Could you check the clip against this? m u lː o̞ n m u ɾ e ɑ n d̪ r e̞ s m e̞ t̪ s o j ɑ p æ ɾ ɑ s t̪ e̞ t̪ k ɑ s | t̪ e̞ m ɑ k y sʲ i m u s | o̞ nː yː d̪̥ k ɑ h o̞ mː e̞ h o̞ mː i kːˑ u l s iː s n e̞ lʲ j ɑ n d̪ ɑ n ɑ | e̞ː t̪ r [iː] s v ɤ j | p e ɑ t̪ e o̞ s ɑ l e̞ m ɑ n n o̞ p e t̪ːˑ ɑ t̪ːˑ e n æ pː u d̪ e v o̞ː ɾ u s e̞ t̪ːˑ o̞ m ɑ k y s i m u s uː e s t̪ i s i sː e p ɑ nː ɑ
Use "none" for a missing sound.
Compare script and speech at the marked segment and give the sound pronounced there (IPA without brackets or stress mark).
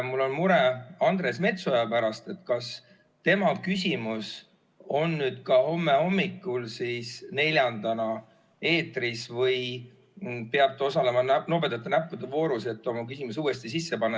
i